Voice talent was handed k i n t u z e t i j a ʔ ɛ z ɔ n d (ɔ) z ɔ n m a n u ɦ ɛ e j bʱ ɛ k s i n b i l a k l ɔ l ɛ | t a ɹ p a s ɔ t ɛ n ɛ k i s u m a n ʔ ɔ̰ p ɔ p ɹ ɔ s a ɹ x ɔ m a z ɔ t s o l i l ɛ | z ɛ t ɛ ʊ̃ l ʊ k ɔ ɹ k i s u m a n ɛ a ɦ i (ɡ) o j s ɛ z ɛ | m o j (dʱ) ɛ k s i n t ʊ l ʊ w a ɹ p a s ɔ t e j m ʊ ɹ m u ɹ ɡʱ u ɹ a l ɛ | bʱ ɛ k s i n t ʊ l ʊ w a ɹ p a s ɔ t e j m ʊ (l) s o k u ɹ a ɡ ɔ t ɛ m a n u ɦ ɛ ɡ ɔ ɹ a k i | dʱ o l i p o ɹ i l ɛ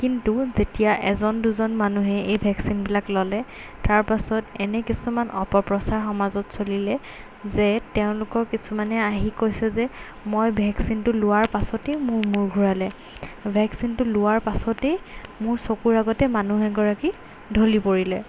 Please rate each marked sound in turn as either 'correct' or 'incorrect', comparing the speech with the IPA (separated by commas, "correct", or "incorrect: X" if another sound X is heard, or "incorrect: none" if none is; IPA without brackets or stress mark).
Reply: incorrect: u, incorrect: k, incorrect: bʱ, incorrect: ɹ